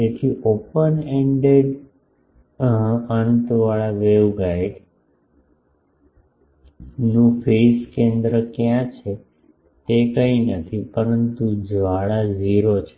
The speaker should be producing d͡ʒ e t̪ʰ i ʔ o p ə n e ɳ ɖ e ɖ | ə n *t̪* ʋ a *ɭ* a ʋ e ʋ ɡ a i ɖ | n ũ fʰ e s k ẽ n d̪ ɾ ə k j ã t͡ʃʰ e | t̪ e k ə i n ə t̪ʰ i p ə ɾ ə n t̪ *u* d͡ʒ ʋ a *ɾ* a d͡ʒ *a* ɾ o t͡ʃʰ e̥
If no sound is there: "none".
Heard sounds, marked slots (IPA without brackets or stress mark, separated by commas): t̪, ɭ, u, ɭ, i